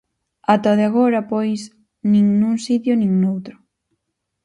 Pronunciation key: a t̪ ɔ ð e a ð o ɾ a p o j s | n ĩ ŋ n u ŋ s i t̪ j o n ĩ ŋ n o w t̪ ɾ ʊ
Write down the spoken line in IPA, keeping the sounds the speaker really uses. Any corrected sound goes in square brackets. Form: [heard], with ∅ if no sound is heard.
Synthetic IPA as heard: a t̪ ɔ ð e a [ɣ] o ɾ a p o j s | n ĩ ŋ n u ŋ s i t̪ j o n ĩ ŋ n o w t̪ ɾ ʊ